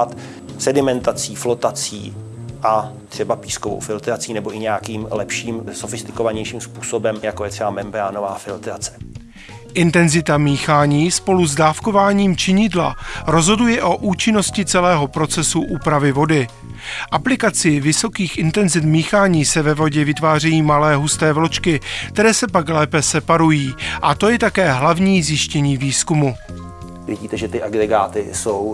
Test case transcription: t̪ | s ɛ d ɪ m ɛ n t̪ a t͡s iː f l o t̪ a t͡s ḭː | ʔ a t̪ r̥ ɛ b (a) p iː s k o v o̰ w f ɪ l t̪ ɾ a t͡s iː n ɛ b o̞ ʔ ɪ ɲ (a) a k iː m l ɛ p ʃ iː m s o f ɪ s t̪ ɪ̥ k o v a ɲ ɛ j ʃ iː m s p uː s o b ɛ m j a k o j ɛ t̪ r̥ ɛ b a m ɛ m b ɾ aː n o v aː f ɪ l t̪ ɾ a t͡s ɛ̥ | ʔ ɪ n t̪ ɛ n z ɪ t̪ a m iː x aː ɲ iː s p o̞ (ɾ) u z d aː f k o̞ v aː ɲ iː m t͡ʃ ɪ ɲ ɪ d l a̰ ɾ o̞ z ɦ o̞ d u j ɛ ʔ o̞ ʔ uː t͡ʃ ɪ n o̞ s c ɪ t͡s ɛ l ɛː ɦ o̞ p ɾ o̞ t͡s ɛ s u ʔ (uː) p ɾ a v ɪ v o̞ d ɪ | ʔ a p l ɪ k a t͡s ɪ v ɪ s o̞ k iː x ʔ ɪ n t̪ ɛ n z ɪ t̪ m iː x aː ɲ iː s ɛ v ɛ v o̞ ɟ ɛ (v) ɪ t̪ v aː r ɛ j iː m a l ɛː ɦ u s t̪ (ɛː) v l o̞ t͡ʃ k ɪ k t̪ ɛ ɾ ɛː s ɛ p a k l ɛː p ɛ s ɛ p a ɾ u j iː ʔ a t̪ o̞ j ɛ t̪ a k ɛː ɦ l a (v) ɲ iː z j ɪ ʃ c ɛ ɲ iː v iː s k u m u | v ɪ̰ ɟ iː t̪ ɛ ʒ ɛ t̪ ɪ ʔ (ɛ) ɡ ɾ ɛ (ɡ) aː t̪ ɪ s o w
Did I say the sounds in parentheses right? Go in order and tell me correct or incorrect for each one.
correct, incorrect: ɛ, incorrect: l, correct, correct, correct, correct, incorrect: a, correct

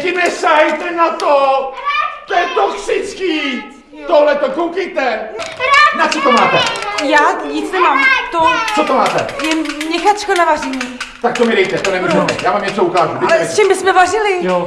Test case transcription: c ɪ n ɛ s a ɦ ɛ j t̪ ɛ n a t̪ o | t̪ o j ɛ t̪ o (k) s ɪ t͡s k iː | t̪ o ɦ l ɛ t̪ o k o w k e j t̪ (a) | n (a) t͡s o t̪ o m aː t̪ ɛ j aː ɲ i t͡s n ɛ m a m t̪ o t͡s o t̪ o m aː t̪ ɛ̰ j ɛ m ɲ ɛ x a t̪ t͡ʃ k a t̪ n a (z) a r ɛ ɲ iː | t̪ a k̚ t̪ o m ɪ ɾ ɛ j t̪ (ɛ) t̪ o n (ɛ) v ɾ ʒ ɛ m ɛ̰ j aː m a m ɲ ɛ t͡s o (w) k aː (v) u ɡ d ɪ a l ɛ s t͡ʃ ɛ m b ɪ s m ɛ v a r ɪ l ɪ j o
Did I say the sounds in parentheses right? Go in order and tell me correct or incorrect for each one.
correct, incorrect: ɛ, correct, incorrect: v, correct, correct, incorrect: u, incorrect: ʒ

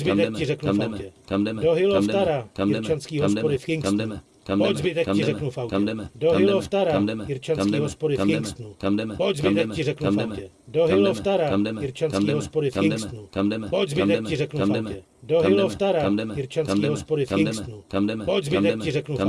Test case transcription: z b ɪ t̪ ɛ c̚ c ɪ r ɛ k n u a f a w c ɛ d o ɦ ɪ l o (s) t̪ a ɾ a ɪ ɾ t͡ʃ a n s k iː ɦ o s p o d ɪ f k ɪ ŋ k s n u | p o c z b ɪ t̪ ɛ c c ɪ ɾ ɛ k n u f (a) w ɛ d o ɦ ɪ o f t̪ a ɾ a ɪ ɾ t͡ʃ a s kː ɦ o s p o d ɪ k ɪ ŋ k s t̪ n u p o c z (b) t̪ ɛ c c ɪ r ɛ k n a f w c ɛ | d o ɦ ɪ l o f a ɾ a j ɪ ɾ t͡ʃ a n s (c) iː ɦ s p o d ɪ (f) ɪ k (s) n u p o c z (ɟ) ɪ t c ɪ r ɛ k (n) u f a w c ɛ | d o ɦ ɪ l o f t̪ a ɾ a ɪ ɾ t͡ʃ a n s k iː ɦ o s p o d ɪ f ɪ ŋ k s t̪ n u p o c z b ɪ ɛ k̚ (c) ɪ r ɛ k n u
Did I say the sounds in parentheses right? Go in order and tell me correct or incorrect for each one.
incorrect: f, correct, correct, incorrect: k, correct, correct, incorrect: b, correct, correct

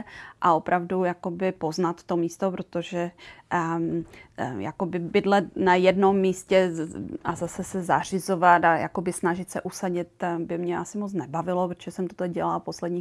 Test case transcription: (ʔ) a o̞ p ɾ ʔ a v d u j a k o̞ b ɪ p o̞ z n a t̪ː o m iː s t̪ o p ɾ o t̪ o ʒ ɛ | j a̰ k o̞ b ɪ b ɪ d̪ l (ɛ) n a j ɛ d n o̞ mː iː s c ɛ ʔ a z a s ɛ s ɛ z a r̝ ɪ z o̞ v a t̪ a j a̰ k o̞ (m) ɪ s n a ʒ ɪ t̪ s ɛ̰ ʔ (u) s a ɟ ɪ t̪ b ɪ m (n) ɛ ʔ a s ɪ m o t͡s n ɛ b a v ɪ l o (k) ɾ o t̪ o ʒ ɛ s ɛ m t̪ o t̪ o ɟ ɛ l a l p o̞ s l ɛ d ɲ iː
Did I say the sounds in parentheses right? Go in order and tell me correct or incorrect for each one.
correct, correct, incorrect: b, correct, incorrect: ɲ, incorrect: p

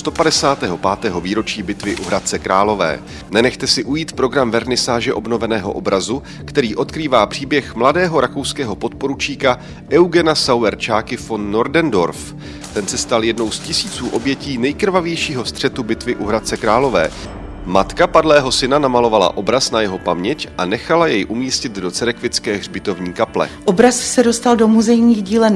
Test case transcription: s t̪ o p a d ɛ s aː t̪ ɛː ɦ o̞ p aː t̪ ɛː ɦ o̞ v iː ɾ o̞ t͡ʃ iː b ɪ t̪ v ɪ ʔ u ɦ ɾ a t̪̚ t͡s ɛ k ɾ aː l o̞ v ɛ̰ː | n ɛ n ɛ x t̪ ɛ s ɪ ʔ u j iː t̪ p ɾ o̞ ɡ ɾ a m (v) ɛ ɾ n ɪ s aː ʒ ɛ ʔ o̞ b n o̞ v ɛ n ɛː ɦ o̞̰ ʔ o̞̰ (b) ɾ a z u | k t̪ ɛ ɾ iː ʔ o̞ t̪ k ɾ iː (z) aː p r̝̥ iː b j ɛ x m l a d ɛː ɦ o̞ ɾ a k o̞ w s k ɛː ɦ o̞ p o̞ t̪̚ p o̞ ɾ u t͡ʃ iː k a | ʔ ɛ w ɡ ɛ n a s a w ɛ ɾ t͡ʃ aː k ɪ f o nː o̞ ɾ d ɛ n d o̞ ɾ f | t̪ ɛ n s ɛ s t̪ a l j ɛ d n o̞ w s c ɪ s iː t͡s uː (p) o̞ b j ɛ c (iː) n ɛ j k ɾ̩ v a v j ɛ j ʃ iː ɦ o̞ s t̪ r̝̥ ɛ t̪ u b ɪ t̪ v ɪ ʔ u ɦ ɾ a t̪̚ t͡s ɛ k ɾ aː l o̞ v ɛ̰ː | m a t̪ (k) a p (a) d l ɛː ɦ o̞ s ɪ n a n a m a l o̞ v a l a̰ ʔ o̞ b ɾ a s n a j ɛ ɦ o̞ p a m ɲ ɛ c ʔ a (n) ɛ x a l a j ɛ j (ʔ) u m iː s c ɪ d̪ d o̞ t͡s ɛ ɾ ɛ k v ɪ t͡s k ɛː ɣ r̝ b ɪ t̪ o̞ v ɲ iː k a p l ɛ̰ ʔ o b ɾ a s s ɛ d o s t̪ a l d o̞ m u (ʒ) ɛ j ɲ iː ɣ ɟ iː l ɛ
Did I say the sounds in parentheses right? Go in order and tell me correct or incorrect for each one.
correct, correct, incorrect: v, incorrect: ʔ, correct, correct, correct, correct, correct, incorrect: z

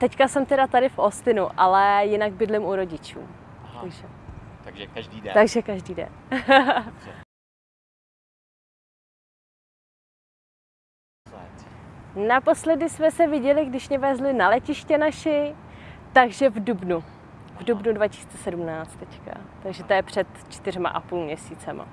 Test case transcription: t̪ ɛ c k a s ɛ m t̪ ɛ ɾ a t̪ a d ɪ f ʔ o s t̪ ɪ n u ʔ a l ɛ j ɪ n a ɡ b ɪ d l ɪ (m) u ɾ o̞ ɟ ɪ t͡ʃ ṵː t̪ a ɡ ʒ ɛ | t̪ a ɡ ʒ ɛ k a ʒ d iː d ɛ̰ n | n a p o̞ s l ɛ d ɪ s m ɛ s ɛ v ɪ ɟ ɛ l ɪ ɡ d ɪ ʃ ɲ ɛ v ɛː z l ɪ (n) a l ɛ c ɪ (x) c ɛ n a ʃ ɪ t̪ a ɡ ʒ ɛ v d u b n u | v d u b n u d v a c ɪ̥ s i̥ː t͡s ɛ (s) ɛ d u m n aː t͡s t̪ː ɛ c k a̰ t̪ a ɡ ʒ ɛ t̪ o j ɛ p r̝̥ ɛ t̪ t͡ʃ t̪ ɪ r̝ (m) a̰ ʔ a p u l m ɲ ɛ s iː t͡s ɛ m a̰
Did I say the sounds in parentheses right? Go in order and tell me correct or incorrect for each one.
correct, correct, incorrect: ʃ, correct, correct

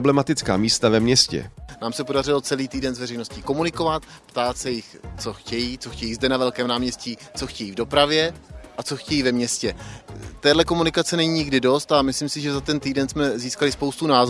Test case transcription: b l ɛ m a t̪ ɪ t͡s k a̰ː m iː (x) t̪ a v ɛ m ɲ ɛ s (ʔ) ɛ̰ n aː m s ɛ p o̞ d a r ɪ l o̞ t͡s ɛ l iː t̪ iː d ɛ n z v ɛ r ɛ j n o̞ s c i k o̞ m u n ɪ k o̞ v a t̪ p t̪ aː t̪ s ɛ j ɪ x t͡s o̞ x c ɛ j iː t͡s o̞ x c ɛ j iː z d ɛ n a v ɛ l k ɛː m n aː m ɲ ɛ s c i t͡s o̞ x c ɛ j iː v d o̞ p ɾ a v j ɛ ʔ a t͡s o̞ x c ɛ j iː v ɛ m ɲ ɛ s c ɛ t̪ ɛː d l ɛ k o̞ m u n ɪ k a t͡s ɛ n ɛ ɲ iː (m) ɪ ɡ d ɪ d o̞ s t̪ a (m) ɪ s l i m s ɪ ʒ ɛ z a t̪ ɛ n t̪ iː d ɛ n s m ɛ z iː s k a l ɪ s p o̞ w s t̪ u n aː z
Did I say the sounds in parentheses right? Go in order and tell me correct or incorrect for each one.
incorrect: s, incorrect: c, incorrect: ɲ, correct

